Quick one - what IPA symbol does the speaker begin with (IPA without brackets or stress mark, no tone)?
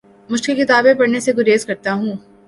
m